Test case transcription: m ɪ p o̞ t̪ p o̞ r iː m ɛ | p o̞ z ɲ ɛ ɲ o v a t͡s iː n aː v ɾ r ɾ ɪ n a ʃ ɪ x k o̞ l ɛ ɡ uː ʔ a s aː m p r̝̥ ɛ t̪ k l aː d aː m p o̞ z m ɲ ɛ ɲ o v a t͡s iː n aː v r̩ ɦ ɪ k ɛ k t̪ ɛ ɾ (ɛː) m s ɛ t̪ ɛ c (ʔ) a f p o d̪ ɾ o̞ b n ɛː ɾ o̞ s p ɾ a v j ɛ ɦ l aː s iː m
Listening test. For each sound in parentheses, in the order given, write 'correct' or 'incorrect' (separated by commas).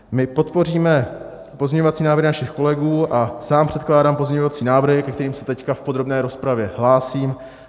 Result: incorrect, incorrect